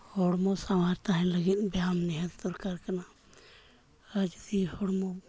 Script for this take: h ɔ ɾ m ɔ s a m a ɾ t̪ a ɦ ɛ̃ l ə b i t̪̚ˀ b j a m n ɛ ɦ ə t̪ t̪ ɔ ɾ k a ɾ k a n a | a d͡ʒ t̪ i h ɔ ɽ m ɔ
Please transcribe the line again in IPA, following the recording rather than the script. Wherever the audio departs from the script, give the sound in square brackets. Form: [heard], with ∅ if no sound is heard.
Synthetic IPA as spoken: h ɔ [ɽ] m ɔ s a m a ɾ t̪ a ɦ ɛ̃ l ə [ɡ] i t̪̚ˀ b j a m n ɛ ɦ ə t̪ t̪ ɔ ɾ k a ɾ k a n a | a d͡ʒ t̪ i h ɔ ɽ m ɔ